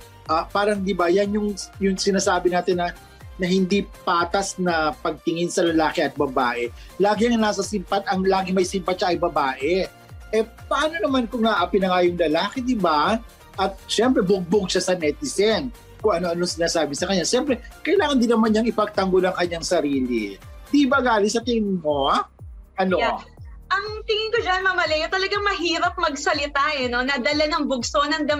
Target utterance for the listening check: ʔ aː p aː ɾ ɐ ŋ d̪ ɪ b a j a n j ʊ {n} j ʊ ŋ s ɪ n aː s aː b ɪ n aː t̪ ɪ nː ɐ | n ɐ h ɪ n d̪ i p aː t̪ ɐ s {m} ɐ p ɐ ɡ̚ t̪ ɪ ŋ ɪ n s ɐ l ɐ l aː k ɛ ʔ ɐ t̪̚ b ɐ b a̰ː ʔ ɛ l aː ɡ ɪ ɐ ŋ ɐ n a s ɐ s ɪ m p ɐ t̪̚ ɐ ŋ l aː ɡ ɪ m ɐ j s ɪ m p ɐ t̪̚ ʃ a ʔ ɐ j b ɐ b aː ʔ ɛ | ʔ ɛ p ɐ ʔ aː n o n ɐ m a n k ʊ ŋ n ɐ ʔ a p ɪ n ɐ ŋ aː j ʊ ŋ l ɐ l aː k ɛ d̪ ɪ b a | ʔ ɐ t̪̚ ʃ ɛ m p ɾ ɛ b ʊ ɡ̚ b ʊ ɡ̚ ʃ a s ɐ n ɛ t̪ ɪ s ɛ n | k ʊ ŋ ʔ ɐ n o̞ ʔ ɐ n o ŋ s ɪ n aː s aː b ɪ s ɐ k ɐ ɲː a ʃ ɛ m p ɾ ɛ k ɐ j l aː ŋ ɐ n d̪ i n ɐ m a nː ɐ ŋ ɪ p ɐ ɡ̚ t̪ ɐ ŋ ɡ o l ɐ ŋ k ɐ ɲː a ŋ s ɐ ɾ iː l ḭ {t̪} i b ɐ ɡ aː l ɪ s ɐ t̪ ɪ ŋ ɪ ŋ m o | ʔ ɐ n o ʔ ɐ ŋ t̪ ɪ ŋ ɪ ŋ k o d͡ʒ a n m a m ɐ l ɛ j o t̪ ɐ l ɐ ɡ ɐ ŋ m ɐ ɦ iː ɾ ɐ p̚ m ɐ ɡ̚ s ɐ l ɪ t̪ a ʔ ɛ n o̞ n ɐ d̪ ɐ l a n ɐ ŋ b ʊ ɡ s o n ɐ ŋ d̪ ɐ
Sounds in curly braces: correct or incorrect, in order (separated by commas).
incorrect, incorrect, incorrect